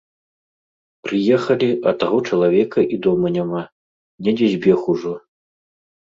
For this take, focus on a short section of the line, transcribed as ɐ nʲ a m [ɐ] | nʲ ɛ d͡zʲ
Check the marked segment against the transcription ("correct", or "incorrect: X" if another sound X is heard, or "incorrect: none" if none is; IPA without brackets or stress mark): incorrect: a